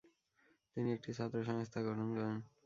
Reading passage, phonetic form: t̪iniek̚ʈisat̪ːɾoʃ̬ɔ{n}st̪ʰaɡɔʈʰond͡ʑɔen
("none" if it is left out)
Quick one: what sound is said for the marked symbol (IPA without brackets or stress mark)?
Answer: ŋ